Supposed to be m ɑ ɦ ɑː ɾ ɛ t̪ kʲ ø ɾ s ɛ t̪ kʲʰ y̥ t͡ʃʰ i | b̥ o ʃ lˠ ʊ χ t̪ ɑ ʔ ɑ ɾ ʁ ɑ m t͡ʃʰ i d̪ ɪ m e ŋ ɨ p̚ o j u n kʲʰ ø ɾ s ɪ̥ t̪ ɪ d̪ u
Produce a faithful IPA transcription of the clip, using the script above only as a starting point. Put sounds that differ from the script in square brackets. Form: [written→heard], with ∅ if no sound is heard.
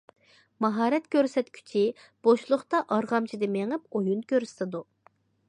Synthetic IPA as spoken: m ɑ ɦ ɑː ɾ ɛ t̪ kʲ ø ɾ s ɛ t̪ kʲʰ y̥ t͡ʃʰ i | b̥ o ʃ lˠ ʊ χ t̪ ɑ ʔ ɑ ɾ ʁ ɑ m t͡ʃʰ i d̪ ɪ m e ŋ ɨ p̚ o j u n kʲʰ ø ɾ s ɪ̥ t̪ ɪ d̪ u